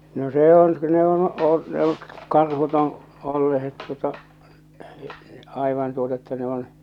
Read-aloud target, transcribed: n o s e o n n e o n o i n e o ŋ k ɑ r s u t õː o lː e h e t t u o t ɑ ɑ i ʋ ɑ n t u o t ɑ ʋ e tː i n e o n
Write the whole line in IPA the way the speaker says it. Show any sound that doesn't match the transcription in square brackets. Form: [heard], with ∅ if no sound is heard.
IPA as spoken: n o s e o n n e o n o i n e o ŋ k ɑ r [h] u t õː o lː e h e t t u o t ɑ ɑ i ʋ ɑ n t u o t ɑ [∅] e tː [æ] n e o n